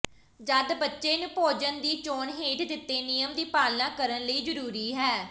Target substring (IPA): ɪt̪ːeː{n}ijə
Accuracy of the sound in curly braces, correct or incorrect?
correct